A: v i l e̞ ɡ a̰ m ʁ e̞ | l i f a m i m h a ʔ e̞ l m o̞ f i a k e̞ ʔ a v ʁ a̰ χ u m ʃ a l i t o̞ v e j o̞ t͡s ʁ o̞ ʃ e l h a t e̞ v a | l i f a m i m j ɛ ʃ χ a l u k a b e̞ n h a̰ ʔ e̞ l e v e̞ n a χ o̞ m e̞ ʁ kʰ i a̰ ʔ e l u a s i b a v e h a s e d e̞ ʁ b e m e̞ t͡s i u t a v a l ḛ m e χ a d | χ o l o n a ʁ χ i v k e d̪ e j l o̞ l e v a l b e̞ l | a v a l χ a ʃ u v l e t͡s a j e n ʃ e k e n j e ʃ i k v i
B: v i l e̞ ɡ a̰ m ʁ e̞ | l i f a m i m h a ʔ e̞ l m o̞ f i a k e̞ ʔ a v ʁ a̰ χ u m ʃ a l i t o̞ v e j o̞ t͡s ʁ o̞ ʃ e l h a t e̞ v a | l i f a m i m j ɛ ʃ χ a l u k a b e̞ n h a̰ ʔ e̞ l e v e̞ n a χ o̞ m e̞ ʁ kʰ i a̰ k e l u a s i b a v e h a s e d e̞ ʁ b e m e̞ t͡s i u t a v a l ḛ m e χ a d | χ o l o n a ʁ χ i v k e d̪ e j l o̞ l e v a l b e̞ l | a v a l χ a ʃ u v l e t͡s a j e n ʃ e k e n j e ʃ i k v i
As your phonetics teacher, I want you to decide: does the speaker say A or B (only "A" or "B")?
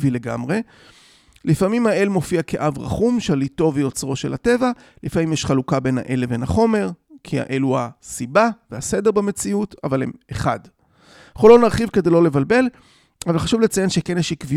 A